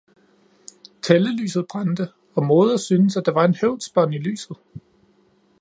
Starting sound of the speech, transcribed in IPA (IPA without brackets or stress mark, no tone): t͡sʰ